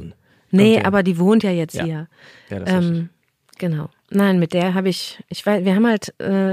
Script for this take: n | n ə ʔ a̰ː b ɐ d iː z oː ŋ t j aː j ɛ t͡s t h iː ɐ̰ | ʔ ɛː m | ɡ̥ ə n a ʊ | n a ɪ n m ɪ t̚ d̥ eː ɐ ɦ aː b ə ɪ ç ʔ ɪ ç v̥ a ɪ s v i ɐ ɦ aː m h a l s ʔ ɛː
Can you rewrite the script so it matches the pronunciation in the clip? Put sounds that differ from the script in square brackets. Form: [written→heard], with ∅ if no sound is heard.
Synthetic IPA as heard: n | n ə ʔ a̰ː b ɐ d iː [z→v] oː [ŋ→n] t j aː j ɛ t͡s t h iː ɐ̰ | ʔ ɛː m | ɡ̥ ə n a ʊ | n a ɪ n m ɪ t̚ d̥ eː ɐ ɦ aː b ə ɪ ç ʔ ɪ ç v̥ a ɪ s v [i→iː] ɐ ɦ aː m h a l [s→t] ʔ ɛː